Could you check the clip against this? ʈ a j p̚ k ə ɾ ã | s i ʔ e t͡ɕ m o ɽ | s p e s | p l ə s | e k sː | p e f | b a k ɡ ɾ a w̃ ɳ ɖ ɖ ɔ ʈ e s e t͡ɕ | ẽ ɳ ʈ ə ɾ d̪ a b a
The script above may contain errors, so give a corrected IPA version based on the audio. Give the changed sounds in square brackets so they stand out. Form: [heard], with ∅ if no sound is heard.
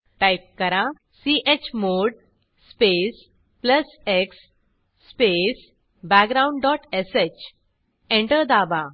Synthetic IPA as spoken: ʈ a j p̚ k ə ɾ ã | s i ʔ e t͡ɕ m o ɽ | s p e s | p l ə s | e k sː | p e [s] | b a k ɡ ɾ a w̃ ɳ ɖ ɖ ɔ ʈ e s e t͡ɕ | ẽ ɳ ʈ ə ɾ d̪ a b a